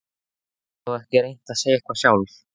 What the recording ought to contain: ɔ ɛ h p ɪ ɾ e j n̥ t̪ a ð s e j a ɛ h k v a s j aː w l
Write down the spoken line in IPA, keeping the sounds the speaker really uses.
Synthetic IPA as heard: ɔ ɛ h c ɪ ɾ e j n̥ t̪ a ð s e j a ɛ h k v a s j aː w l